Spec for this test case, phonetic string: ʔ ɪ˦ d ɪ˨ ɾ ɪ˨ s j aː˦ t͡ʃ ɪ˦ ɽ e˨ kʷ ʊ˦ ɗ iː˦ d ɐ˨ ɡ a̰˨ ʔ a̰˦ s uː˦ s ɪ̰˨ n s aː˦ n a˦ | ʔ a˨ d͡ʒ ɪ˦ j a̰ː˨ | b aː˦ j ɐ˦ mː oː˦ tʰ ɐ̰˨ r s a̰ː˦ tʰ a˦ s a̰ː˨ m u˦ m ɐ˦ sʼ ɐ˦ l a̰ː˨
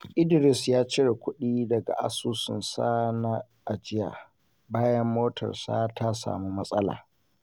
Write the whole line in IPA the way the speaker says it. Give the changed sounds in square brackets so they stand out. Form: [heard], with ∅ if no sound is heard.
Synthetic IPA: ʔ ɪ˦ d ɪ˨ ɾ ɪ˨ s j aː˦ t͡ʃ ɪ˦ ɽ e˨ kʷ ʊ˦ ɗ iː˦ d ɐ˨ ɡ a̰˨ ʔ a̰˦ s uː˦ s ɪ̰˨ n s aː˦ n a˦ | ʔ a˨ d͡ʒ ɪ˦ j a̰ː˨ | b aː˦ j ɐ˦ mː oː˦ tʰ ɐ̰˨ r s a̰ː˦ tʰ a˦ s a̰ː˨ m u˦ m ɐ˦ sʼ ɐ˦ l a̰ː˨

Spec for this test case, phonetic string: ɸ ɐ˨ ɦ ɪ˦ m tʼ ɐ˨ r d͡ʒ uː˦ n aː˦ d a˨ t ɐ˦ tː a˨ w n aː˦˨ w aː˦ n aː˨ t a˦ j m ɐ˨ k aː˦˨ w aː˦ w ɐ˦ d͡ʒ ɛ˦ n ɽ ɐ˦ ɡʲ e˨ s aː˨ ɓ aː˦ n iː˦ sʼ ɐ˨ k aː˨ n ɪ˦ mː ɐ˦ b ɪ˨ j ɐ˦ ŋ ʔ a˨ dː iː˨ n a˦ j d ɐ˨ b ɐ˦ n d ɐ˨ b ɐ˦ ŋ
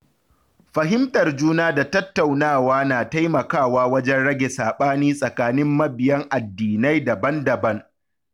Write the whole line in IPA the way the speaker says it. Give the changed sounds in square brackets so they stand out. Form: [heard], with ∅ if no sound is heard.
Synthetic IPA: ɸ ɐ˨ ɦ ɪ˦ m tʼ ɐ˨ r d͡ʒ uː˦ n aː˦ d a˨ t ɐ˦ tː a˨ w n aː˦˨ w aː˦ n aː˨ t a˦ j m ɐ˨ k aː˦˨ w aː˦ w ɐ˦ d͡ʒ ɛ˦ n ɽ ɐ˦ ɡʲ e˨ s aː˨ ɓ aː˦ n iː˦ sʼ ɐ˨ k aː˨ n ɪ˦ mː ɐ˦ b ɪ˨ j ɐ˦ ŋ ʔ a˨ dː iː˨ n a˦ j d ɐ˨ b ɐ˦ n d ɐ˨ b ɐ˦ ŋ

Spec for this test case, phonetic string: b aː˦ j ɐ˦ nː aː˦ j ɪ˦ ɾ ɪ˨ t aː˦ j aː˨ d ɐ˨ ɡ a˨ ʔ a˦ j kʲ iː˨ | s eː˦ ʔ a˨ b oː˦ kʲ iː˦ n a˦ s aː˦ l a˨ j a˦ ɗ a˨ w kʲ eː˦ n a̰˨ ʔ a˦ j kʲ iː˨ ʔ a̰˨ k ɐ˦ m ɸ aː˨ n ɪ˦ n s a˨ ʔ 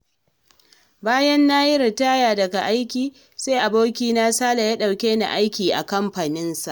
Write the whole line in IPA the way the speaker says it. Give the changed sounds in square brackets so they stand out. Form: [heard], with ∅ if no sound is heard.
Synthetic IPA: b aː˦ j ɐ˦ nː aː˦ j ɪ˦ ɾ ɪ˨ t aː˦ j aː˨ d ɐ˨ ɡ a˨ ʔ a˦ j kʲ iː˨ | s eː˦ ʔ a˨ b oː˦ kʲ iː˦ n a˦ s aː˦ l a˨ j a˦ ɗ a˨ w kʲ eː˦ n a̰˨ ʔ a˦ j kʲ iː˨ ʔ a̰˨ k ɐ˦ m ɸ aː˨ n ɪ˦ n s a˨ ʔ

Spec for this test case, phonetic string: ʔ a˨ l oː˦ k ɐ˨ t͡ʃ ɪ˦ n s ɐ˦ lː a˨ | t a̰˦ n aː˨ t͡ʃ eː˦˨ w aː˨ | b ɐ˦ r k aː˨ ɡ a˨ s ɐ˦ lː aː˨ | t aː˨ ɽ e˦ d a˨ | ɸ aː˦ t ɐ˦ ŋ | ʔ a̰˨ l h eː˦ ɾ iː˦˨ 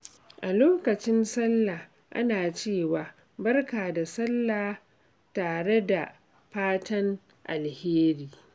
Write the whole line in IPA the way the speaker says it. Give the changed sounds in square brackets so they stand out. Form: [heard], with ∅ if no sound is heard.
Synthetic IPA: ʔ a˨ l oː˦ k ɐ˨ t͡ʃ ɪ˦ n s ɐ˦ lː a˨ | [ʔ] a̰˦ n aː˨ t͡ʃ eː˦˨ w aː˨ | b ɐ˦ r k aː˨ [d] a˨ s ɐ˦ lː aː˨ | t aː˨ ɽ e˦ d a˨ | ɸ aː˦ t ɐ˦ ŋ | ʔ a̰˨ l h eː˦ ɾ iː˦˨

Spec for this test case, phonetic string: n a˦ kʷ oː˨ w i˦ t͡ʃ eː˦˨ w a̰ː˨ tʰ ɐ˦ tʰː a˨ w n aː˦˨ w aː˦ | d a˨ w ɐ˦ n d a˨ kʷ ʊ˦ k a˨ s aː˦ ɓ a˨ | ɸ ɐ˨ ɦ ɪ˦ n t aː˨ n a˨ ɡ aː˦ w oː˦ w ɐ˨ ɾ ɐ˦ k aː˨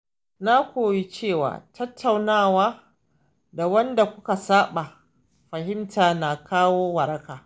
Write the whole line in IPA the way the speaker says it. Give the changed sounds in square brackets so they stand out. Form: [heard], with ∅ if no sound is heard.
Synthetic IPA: n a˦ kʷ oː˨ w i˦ t͡ʃ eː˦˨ w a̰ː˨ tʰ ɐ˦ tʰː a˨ w n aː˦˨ w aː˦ | d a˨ w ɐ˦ n d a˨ kʷ ʊ˦ k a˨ s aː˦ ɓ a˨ | ɸ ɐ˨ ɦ ɪ˦ [m] t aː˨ n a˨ [k] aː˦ w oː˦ w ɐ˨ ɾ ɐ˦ k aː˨

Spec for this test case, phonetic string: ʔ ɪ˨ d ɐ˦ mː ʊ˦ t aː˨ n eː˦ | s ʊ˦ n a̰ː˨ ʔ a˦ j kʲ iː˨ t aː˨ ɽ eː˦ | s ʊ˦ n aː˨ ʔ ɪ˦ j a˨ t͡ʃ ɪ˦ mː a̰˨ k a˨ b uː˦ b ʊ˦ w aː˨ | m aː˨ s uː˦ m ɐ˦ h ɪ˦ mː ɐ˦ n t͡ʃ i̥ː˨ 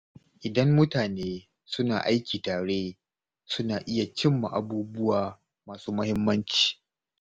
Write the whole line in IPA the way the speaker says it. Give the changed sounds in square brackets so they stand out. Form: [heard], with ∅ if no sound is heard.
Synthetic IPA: ʔ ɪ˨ d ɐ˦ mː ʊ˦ t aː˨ n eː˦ | s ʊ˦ n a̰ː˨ ʔ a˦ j kʲ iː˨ t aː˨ ɽ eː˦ | s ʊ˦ n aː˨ ʔ ɪ˦ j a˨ t͡ʃ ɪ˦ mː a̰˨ [ʔ] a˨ b uː˦ b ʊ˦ w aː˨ | m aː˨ s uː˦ m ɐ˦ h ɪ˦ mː ɐ˦ n t͡ʃ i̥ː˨

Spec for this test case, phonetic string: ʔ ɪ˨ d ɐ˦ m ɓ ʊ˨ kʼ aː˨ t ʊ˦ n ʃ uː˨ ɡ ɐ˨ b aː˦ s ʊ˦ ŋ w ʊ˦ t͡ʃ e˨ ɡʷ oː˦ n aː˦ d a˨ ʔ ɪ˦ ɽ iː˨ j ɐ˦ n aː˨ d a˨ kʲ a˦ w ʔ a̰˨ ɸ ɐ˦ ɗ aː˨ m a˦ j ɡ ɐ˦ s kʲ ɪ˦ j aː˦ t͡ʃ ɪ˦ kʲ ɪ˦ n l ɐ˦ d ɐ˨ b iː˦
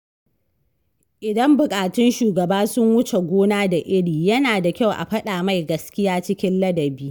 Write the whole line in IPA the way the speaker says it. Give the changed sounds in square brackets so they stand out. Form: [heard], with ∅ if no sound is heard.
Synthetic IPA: ʔ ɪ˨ d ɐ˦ m [b] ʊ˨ kʼ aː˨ t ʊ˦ n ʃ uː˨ ɡ ɐ˨ b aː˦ s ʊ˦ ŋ w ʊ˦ t͡ʃ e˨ ɡʷ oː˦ n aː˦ d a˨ ʔ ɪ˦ ɽ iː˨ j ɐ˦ n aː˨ d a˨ kʲ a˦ w ʔ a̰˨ ɸ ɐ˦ ɗ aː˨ m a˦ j ɡ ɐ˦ s kʲ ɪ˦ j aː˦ t͡ʃ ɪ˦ kʲ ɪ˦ n l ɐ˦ d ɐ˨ b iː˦

